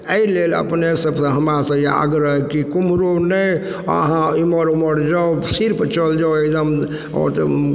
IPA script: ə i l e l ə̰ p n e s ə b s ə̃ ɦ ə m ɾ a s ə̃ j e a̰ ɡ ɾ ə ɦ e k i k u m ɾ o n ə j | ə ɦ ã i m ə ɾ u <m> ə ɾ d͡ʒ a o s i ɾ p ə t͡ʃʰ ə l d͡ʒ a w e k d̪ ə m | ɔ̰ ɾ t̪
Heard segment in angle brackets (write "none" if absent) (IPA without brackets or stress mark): m